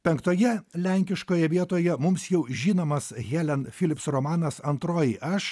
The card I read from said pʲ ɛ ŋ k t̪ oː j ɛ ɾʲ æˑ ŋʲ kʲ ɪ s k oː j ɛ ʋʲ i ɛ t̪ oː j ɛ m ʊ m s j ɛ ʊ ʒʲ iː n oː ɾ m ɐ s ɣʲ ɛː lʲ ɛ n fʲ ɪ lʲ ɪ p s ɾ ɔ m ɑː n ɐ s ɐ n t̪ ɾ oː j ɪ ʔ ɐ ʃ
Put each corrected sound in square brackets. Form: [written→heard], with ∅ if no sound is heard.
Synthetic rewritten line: pʲ ɛ ŋ k t̪ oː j ɛ [ɾʲ→lʲ] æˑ ŋʲ kʲ ɪ [s→ʃ] k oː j ɛ ʋʲ i ɛ t̪ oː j ɛ m ʊ m s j ɛ ʊ ʒʲ iː n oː [ɾ→∅] m ɐ s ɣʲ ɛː lʲ ɛ n fʲ ɪ lʲ ɪ p s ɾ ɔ m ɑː n ɐ s ɐ n t̪ ɾ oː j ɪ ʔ ɐ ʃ